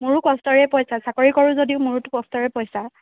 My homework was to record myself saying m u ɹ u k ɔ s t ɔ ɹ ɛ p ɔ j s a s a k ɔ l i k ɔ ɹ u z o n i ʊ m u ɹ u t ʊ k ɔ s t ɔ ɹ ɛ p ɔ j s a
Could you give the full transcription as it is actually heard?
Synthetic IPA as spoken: m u ɹ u k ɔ s t ɔ ɹ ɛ p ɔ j s a s a k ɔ ɹ i k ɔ ɹ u z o d i ʊ m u ɹ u t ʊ k ɔ s t ɔ ɹ ɛ p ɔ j s a